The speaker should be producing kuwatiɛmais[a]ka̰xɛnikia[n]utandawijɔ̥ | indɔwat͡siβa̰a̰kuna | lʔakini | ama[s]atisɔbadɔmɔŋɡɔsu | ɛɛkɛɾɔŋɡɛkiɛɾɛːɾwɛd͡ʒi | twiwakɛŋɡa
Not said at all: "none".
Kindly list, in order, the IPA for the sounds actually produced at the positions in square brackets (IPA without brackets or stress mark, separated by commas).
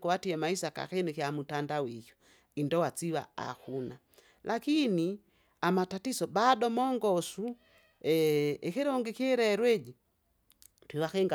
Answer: a, m, t